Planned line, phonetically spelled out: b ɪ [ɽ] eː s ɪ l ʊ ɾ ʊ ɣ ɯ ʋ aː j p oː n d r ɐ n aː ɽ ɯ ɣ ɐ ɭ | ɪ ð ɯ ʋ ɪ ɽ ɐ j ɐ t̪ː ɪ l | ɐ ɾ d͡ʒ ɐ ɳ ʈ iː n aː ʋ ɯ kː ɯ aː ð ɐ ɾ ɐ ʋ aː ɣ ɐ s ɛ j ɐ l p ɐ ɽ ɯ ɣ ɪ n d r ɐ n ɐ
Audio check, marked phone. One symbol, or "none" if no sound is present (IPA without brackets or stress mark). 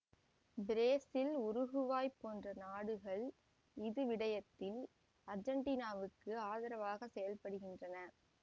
ɾ